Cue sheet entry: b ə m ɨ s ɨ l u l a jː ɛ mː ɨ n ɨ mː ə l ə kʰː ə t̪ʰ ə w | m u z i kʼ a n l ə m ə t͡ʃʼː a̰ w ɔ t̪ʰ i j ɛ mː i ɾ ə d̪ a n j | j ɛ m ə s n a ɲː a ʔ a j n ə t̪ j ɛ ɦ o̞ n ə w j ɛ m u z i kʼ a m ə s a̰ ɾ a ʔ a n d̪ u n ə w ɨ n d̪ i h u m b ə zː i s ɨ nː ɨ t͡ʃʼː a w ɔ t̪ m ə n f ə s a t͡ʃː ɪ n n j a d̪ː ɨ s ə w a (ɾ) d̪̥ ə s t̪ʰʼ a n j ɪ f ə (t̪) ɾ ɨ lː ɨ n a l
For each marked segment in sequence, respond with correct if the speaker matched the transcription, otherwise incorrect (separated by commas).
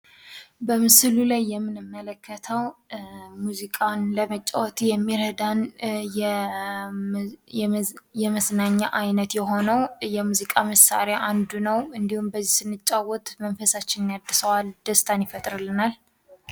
incorrect, incorrect